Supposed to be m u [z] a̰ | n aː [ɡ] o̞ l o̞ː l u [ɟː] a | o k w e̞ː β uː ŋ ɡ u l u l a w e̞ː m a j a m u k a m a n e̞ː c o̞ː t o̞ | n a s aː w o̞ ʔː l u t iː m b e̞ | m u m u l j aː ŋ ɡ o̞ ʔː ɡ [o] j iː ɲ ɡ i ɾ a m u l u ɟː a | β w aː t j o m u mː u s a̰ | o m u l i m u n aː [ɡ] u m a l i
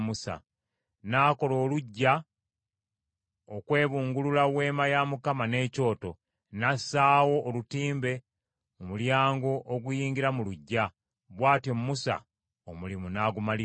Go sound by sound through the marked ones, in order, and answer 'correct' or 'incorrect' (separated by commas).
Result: incorrect, incorrect, correct, incorrect, correct